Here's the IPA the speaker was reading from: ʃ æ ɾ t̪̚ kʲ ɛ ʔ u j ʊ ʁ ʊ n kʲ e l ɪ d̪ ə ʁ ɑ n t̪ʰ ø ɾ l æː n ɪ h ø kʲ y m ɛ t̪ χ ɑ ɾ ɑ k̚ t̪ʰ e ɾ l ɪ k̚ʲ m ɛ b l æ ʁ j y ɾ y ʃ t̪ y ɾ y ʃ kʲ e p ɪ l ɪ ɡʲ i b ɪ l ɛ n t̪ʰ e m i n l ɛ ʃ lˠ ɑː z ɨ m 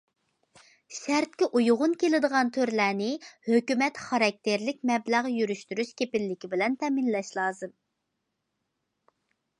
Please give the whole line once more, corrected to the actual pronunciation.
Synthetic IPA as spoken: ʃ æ ɾ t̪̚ kʲ ɛ ʔ u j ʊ ʁ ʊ n kʲ e l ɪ d̪ ə ʁ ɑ n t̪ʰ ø ɾ l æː n ɪ h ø kʲ y m ɛ t̪ χ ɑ ɾ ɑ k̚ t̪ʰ e ɾ l ɪ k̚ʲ m ɛ b l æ ʁ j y ɾ y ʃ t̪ y ɾ y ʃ kʲ e p ɪ lː ɪ kʲ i b ɪ l ɛ n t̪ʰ ɛ m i n l ɛ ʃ lˠ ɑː z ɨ m